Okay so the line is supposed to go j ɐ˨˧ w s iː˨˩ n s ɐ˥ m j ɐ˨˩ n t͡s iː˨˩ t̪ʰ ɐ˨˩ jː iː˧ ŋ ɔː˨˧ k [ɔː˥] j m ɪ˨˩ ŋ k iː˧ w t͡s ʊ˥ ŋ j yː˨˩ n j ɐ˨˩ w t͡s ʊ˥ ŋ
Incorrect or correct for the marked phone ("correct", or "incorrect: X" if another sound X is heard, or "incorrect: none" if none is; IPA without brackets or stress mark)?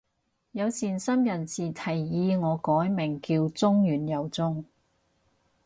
incorrect: ɔː˨˥